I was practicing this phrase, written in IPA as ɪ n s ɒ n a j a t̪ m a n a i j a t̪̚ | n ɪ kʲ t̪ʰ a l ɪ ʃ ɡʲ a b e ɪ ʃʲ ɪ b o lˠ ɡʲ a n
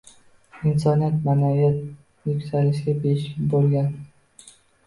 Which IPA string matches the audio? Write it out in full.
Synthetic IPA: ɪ n s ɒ n i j a t̪ m a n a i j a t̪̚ | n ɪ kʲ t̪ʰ a l ɪ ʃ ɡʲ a b e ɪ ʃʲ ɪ b o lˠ ɡʲ a n